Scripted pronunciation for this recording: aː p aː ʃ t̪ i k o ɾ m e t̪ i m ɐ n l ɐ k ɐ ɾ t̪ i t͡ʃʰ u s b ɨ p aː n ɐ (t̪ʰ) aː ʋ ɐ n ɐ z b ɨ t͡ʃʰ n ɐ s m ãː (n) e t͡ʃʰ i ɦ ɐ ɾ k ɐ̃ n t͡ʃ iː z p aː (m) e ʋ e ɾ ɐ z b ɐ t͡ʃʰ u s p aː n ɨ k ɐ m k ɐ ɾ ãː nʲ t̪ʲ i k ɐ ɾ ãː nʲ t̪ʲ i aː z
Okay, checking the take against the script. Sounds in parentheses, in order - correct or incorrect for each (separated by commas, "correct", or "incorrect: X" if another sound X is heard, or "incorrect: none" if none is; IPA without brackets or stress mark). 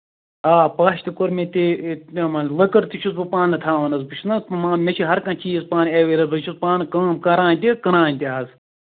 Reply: correct, incorrect: m, incorrect: n